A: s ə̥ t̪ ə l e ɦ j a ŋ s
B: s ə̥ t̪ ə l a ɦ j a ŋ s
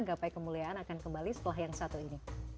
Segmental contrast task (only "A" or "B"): B